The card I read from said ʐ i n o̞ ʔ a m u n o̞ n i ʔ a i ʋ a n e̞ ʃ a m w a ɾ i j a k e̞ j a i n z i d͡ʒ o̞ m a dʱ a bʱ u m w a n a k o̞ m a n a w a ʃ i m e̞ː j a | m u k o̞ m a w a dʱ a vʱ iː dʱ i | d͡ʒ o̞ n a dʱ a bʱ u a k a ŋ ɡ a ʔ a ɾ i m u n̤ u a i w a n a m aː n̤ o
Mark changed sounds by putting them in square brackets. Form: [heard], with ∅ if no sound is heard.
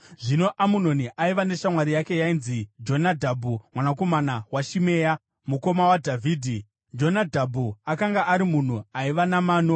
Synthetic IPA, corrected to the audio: ʐ i n o̞ ʔ a m u n o̞ n i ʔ a i ʋ a n e̞ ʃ a m w a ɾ i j a k e̞ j a i n z i d͡ʒ o̞ [n] a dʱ a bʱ u m w a n a k o̞ m a n a w a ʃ i m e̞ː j a | m u k o̞ m a w a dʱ a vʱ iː dʱ i | d͡ʒ o̞ n a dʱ a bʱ u a k a ŋ ɡ a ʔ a ɾ i m u n̤ u a i [ʋ] a n a m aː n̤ o